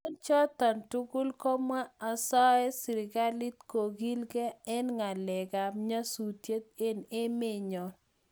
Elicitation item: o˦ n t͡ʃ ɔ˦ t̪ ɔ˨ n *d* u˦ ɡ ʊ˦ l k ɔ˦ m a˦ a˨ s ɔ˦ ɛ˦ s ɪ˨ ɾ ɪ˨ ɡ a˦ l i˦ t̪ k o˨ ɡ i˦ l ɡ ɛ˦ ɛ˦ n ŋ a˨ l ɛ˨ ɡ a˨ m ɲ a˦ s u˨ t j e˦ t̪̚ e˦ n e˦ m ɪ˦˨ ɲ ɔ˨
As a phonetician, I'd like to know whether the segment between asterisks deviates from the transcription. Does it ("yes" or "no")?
yes